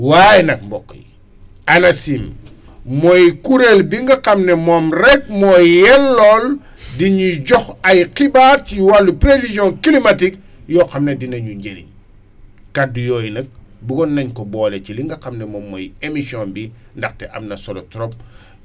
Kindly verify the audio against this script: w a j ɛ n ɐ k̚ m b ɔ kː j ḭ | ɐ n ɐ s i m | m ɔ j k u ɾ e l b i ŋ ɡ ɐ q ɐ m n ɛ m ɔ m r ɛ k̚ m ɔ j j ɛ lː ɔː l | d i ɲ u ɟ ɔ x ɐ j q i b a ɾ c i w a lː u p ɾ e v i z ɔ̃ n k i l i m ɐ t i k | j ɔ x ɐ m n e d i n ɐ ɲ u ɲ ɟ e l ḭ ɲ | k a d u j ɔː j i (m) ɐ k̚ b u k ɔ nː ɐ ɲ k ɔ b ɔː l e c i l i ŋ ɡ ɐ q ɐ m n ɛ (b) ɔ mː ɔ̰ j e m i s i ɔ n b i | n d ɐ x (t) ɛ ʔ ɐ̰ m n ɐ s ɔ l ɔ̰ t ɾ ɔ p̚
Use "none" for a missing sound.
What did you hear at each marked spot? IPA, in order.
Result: n, m, t

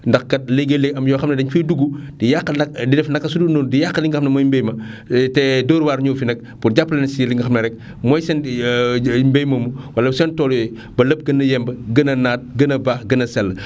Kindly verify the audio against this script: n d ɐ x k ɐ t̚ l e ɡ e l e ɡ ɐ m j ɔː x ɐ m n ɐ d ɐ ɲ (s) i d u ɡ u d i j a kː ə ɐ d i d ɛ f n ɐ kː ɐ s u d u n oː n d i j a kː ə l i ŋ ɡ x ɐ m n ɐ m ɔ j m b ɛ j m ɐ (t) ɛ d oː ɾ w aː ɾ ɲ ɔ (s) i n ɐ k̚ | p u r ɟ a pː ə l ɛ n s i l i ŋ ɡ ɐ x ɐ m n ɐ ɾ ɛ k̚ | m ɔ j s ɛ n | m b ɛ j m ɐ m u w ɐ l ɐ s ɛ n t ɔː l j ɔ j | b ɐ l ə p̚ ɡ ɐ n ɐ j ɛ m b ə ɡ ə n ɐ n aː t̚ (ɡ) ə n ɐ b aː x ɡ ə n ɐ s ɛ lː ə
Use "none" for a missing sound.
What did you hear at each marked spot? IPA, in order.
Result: f, t, f, ɡ

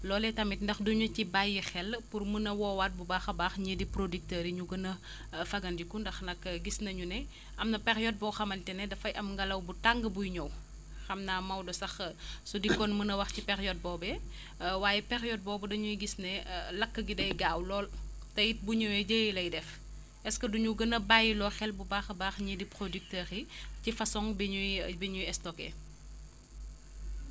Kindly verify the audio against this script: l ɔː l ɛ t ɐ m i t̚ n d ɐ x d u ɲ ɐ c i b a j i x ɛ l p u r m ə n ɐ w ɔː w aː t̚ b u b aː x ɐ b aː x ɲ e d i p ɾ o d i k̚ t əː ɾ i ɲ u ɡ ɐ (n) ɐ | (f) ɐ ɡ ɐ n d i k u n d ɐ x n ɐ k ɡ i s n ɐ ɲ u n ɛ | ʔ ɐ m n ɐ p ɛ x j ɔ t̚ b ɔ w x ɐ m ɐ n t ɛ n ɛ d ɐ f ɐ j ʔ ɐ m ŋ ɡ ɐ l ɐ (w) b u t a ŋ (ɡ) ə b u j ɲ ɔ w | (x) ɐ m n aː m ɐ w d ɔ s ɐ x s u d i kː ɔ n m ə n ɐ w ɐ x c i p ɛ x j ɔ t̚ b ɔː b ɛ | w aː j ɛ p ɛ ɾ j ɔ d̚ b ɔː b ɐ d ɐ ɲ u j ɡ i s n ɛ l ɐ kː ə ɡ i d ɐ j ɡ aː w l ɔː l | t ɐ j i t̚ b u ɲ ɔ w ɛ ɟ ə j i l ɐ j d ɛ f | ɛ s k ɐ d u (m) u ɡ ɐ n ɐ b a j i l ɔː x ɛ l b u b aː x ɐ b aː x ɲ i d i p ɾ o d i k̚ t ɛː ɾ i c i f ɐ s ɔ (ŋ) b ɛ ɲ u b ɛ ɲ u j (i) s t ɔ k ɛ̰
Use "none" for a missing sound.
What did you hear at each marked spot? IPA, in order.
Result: n, f, w, ɡ, x, ɲ, ŋ, ɛ

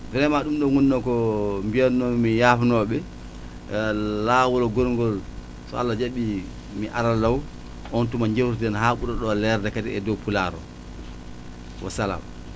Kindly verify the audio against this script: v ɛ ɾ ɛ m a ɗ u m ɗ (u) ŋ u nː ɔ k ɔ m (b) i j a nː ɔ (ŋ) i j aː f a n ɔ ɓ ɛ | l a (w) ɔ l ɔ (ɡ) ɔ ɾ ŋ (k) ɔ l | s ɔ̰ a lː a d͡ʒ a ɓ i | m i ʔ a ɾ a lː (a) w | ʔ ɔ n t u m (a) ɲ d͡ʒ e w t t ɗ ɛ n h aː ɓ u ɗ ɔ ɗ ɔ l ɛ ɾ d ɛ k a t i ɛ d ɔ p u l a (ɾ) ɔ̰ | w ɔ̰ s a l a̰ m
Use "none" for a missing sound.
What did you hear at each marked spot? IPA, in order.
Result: ɔ, b, m, w, ɡ, ɡ, a, a, ɾ

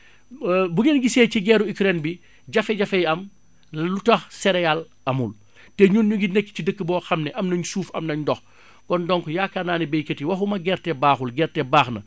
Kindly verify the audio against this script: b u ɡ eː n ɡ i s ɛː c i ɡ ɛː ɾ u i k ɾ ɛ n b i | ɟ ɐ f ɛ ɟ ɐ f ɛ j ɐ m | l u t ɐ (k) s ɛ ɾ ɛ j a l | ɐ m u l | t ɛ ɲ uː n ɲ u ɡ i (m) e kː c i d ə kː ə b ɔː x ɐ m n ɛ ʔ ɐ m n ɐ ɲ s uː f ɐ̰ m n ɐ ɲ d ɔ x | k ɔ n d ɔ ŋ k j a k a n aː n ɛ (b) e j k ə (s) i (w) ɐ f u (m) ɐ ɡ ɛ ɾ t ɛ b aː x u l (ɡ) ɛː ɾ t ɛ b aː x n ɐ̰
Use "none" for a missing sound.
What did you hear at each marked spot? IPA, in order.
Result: x, n, b, t, w, m, ɡ

